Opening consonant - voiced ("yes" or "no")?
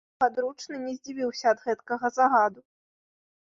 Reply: yes